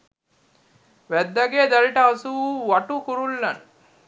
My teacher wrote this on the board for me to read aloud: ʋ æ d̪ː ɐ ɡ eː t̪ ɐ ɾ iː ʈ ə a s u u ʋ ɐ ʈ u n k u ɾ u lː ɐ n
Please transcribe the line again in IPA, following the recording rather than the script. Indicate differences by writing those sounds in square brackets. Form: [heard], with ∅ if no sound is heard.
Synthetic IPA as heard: ʋ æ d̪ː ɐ ɡ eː [d̪] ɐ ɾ [i] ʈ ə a s u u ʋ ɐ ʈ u [∅] k u ɾ u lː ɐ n